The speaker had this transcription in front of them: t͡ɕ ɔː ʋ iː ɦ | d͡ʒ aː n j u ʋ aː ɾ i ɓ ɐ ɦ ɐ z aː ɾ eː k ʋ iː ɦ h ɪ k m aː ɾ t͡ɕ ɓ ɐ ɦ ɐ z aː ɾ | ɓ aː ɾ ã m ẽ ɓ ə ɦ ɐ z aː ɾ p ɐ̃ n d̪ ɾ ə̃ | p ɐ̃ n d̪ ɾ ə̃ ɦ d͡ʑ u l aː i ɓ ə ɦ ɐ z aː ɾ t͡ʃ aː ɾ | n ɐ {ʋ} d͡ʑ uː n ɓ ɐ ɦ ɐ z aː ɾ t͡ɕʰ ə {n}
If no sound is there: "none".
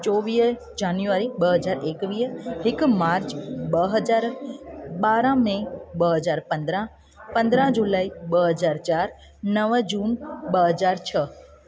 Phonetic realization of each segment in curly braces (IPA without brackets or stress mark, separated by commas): ʋ, none